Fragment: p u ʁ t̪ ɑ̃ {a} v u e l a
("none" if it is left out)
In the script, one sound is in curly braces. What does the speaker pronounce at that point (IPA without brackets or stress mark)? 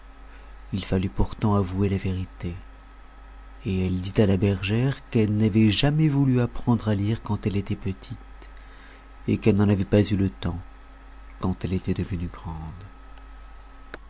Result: a